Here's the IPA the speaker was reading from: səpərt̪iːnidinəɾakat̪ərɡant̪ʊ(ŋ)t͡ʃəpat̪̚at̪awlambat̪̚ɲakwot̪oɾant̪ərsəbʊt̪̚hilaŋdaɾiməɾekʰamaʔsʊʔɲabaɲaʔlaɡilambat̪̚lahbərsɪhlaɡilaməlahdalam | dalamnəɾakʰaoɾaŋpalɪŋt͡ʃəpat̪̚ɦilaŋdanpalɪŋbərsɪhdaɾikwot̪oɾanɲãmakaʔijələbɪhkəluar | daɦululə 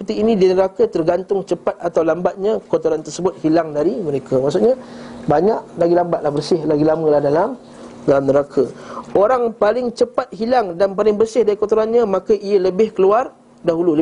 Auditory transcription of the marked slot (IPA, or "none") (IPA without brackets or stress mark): ŋ